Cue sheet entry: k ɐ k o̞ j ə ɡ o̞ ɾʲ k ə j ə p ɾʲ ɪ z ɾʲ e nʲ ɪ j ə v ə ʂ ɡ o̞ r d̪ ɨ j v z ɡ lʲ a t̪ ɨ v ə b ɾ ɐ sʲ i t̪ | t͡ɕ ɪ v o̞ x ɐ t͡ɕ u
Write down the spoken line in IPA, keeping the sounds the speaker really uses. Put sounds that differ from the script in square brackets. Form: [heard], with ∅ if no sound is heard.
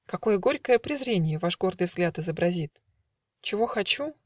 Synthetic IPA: k ɐ k o̞ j ə ɡ o̞ ɾʲ k ə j ə p ɾʲ ɪ z ɾʲ e nʲ ɪ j ə v [a] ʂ ɡ o̞ r d̪ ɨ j v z ɡ lʲ a t̪ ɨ [z] ə b ɾ ɐ [zʲ] i t̪ | t͡ɕ ɪ v o̞ x ɐ t͡ɕ u